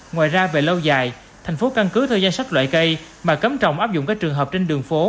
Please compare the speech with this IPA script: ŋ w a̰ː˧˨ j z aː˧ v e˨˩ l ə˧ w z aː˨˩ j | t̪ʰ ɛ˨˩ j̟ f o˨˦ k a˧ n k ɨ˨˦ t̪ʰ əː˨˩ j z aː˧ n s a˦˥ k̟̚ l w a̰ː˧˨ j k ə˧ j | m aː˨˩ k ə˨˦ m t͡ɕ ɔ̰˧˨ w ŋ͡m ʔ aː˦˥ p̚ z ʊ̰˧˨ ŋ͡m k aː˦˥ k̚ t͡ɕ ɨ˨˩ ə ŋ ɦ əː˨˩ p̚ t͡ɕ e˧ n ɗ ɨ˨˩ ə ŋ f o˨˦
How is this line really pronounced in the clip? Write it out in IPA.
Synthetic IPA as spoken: ŋ w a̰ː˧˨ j z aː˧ v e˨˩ l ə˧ w z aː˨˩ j | t̪ʰ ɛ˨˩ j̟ f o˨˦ k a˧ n k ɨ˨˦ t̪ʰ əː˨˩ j z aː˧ n s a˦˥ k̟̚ l w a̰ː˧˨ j k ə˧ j | m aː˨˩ k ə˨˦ m t͡ɕ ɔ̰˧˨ w ŋ͡m ʔ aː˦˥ p̚ z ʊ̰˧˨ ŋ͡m k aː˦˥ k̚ t͡ɕ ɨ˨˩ ə ŋ ɦ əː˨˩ p̚ t͡ɕ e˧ n ɗ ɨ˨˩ ə ŋ f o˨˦